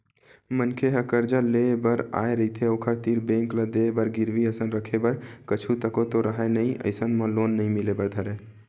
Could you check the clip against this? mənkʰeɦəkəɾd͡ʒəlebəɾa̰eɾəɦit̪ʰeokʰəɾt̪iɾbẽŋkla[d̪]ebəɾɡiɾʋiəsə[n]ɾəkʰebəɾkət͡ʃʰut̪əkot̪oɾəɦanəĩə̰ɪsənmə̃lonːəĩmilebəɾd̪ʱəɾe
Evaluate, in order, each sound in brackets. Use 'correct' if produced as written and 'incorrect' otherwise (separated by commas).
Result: correct, correct